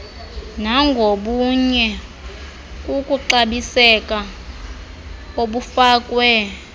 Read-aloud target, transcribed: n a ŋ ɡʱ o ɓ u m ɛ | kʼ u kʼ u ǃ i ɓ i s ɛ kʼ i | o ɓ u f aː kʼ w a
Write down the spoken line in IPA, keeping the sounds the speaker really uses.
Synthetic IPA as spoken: n a ŋ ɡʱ o ɓ u ɲ ɛ | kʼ u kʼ u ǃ a ɓ i s ɛ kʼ a | o ɓ u f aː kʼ w ɛ